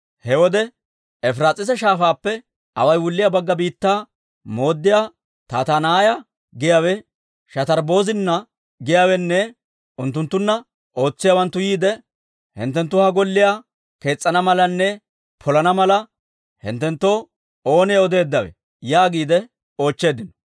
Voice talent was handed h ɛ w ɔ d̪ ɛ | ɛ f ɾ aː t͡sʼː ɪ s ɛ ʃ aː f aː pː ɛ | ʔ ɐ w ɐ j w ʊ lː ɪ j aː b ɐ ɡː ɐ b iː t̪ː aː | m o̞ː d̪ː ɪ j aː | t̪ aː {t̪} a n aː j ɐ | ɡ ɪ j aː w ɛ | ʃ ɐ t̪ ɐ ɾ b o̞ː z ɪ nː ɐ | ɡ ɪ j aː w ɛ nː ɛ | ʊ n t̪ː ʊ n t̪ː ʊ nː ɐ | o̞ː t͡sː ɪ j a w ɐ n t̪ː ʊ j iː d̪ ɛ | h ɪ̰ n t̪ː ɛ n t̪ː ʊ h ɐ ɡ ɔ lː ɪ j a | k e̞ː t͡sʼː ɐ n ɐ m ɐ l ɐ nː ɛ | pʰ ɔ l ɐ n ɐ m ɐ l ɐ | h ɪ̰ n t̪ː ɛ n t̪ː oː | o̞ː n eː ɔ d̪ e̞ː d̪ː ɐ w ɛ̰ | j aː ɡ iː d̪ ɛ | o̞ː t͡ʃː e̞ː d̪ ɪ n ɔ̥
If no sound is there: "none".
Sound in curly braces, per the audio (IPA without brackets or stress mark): t̪